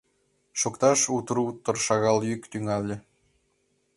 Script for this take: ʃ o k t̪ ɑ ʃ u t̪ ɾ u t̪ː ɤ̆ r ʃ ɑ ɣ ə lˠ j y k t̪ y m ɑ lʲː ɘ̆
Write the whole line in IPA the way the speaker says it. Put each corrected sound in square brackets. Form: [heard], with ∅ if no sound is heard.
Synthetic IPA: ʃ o k t̪ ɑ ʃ u t̪ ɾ u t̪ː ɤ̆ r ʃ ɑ ɣ [ɑ] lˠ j y k t̪ y [ŋ] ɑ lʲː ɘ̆